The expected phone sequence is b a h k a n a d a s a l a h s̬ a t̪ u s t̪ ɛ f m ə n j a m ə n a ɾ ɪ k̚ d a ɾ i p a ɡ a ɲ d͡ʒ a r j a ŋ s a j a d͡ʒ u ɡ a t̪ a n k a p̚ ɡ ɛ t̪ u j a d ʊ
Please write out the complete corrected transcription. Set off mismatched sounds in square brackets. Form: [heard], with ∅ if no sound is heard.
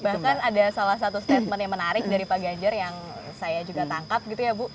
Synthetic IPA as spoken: b a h k a n a d a s a l a h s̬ a t̪ u s t̪ ɛ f m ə n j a m ə n a ɾ ɪ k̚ d a ɾ i p a ɡ a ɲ d͡ʒ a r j a ŋ s a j a d͡ʒ u ɡ a t̪ a [ŋ] k a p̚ ɡ [i] t̪ u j a [b] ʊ